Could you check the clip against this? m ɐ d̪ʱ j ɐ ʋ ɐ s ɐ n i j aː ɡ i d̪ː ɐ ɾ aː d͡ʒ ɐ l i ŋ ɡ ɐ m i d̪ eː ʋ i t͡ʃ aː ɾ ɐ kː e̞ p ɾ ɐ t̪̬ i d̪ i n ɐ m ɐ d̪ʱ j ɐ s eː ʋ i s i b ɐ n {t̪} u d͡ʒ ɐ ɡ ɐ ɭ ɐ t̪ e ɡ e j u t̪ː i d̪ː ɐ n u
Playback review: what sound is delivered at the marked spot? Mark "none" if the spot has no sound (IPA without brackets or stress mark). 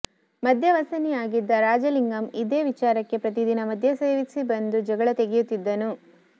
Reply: d̪